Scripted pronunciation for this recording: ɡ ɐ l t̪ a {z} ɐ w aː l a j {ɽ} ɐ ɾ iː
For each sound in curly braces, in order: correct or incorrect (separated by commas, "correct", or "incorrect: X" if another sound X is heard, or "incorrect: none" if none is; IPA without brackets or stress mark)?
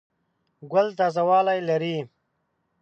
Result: correct, incorrect: l